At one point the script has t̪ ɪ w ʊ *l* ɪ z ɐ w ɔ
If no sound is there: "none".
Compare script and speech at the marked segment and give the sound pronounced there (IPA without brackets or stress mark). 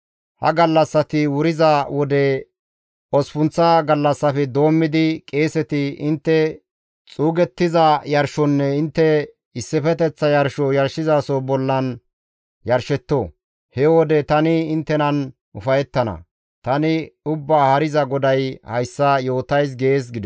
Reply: ɾ